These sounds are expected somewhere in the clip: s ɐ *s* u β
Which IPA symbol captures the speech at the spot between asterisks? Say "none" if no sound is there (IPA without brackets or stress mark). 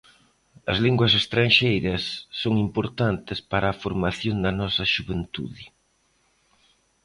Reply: ʃ